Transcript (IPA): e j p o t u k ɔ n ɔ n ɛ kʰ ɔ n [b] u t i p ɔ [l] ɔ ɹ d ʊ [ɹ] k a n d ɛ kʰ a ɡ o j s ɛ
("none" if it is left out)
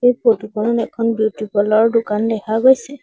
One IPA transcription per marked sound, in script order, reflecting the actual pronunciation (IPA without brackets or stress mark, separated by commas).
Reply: b, l, none